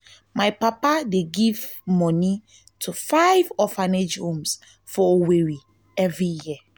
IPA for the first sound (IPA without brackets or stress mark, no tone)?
m